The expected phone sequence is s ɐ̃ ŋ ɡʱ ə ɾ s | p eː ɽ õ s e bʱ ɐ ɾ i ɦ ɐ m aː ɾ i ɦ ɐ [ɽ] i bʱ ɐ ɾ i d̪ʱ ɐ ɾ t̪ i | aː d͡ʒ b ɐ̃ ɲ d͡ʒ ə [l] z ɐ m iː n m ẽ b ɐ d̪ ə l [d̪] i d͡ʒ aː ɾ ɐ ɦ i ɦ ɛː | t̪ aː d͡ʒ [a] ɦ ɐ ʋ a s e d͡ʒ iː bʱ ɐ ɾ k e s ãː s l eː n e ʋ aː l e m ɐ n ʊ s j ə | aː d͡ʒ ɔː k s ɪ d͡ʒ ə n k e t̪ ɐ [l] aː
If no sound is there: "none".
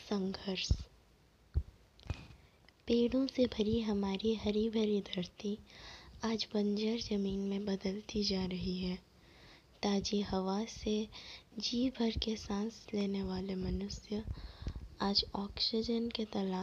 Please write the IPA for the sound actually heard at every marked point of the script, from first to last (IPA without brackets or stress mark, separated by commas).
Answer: ɾ, ɾ, t̪, i, l